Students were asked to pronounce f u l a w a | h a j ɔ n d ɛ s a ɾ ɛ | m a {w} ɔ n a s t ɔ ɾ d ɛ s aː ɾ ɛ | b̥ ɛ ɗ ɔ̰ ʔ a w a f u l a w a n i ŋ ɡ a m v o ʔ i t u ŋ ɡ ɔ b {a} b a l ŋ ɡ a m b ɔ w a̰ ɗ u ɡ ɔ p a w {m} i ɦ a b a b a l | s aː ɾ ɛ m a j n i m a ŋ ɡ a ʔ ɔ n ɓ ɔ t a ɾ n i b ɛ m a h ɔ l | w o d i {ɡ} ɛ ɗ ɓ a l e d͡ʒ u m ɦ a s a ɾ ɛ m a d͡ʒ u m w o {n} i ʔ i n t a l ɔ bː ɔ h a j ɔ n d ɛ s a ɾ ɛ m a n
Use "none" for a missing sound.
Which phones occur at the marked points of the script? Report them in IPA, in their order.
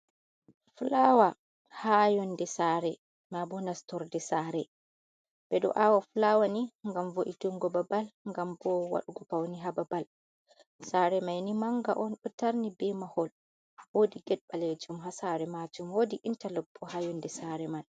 b, a, n, ɡ, d

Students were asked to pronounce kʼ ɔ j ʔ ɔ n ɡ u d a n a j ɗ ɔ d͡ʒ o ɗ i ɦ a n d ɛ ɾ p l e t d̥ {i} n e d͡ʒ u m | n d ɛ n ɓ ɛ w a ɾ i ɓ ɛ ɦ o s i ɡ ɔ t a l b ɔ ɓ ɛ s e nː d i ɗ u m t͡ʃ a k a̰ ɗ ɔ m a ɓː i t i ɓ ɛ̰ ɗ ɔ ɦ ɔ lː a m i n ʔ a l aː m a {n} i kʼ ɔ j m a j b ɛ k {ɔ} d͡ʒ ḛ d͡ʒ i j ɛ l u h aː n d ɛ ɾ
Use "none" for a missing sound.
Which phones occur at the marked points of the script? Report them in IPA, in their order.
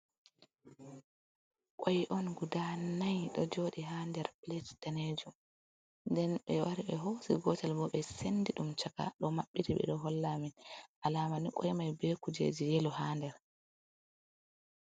a, n, u

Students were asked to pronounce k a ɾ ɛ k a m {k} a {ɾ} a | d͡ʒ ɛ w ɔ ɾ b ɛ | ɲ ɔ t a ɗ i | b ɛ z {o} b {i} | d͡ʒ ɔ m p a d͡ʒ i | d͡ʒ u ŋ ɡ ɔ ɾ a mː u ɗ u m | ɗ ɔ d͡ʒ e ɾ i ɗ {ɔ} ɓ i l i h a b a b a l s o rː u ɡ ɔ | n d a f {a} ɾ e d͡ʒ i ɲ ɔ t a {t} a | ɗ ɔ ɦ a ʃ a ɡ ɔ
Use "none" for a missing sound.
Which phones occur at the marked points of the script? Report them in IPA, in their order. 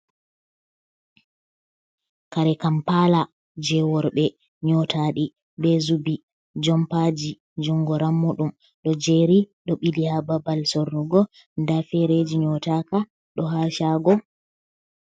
p, l, u, i, ɔ, ɛ, k

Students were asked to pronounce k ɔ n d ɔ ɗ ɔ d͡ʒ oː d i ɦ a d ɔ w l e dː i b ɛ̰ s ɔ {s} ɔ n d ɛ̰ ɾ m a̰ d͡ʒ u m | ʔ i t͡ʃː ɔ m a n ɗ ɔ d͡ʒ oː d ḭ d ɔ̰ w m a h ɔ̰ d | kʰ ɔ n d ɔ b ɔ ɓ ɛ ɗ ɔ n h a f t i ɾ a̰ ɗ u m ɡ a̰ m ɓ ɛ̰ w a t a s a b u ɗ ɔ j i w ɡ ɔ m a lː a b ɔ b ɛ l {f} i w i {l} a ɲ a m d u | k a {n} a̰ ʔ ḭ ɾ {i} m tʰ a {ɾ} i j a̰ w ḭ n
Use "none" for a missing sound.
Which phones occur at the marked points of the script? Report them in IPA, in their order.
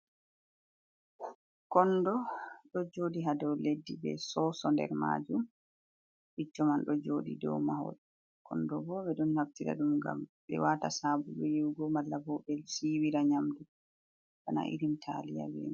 s, s, ɾ, n, i, l

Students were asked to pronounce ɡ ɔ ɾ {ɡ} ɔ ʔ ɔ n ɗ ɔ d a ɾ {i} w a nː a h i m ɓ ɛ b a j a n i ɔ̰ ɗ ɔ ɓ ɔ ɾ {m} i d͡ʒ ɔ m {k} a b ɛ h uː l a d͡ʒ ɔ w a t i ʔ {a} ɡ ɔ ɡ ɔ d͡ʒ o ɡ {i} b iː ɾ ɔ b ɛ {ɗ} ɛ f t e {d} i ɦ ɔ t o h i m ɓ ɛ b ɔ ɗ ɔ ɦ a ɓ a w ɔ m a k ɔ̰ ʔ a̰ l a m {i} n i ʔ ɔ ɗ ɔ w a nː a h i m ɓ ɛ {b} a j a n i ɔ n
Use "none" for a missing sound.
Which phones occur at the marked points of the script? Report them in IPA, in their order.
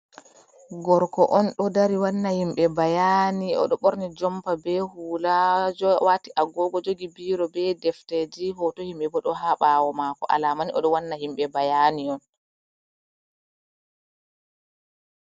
k, i, n, p, a, i, d, d͡ʒ, a, b

